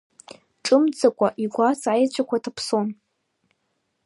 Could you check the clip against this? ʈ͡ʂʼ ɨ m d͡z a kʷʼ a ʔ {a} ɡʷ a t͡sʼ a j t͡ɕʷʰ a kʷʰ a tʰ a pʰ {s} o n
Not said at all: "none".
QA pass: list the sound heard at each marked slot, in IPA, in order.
i, s

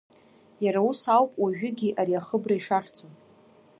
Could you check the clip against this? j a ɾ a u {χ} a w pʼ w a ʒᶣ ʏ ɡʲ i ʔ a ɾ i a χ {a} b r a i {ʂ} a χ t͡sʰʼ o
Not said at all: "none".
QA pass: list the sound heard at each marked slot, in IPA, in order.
s, ə, ʂ

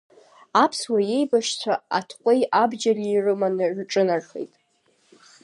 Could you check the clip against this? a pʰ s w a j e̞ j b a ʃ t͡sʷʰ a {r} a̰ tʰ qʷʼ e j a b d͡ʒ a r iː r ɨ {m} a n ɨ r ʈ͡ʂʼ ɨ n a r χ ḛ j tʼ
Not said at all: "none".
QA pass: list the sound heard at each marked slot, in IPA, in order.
none, m

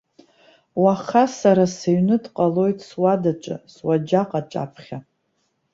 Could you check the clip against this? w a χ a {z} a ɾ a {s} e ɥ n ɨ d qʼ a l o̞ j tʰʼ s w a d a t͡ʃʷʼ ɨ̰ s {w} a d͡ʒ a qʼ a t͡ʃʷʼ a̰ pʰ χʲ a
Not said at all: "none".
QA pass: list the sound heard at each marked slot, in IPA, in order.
s, s, w

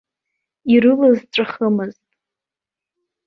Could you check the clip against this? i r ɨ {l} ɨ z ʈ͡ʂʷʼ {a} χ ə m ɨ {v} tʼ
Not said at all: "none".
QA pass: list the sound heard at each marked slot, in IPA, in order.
l, a, z

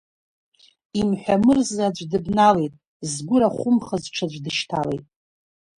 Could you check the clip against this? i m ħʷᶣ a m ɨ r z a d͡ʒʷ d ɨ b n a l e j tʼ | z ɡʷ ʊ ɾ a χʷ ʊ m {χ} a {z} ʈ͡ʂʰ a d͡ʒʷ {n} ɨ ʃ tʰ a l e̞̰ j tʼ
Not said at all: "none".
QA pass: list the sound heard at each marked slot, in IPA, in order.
χ, z, d

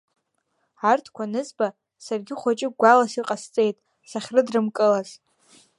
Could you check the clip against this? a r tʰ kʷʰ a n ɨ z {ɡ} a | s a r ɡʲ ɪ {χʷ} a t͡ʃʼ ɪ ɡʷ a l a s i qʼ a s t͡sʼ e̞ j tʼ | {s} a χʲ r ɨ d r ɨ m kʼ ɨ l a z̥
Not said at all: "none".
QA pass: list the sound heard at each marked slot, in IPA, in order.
b, χʷ, s

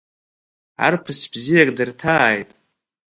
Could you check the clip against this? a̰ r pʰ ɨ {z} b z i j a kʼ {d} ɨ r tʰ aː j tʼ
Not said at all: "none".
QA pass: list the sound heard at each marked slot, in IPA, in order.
s, d

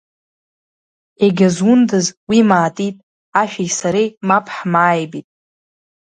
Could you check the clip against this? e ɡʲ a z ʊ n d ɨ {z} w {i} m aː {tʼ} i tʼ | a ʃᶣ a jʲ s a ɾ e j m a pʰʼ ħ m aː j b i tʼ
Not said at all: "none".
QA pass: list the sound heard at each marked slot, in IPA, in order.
z, i, tʼ

